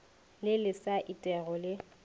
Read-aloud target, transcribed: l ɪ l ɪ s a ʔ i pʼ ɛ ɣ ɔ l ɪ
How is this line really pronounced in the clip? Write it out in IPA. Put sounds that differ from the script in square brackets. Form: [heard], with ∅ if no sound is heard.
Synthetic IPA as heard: l ɪ l ɪ s a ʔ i [tʼ] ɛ ɣ ɔ l ɪ